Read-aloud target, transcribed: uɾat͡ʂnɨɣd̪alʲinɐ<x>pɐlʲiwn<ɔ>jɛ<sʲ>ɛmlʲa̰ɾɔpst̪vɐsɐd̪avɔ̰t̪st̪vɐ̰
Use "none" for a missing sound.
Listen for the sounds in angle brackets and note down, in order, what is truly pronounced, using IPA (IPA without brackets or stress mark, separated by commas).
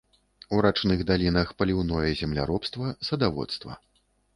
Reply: x, ɔ, zʲ